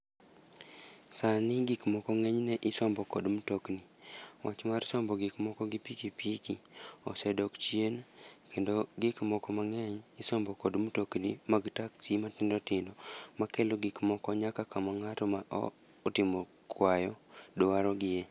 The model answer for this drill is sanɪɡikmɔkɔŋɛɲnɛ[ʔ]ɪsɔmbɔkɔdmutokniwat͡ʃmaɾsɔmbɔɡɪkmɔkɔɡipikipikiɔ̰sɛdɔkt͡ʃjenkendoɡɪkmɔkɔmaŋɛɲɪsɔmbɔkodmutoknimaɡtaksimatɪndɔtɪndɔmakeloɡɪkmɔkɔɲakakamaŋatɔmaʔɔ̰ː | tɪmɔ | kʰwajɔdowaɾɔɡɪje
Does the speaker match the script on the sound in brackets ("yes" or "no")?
yes